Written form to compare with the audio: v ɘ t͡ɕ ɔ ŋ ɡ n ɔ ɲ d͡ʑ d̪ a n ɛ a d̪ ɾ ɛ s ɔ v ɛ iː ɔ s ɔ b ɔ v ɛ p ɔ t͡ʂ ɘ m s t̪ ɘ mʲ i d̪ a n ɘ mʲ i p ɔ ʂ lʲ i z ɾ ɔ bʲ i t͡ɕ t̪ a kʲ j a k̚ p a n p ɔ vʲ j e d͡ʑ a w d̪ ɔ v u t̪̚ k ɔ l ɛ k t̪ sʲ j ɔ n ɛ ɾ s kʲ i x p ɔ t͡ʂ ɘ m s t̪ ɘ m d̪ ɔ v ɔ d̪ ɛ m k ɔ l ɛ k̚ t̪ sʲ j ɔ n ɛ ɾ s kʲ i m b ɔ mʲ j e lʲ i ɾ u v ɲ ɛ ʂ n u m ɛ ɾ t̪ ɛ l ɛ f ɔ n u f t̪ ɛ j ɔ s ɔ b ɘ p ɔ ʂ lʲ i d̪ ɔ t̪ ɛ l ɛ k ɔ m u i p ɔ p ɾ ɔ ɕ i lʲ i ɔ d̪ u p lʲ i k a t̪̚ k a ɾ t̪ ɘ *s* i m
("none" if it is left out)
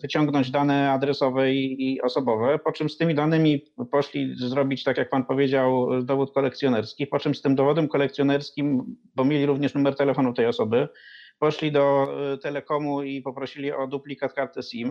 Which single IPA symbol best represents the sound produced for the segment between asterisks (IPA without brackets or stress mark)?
s